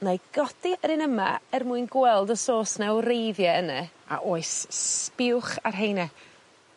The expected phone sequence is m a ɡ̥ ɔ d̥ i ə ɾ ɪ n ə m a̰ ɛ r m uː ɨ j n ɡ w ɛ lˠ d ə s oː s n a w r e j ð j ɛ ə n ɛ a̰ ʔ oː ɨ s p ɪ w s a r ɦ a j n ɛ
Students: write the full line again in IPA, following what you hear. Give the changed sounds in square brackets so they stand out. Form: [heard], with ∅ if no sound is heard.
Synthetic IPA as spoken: [n] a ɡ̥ ɔ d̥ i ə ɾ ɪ n ə m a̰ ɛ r m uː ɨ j n ɡ w ɛ lˠ d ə s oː s n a w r e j ð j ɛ ə n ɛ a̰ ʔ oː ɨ s p ɪ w [χ] a r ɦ [e] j n ɛ